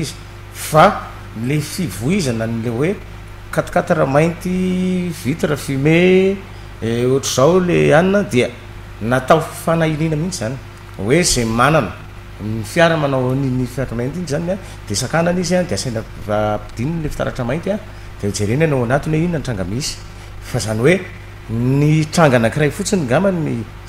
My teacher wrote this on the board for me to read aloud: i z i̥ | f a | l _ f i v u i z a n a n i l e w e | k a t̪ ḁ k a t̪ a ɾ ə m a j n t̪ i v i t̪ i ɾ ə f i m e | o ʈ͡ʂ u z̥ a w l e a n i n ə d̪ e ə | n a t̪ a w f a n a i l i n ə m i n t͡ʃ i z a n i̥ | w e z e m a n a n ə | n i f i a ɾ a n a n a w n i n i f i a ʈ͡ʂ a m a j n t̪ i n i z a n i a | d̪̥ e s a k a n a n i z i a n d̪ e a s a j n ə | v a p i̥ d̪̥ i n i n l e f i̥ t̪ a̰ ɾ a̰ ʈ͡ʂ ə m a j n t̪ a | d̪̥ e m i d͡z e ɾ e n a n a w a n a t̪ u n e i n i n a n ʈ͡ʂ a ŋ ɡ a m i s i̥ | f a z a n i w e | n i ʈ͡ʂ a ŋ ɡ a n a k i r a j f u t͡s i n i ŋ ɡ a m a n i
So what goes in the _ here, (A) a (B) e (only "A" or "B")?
B